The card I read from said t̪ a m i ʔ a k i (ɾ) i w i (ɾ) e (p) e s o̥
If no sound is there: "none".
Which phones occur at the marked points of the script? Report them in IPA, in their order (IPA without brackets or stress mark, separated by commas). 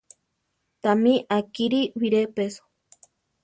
ɾ, ɾ, p